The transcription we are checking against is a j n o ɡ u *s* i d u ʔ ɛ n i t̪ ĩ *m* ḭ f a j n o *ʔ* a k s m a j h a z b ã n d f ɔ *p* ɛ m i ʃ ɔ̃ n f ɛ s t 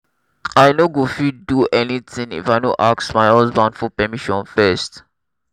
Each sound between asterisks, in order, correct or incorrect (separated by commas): incorrect, incorrect, correct, correct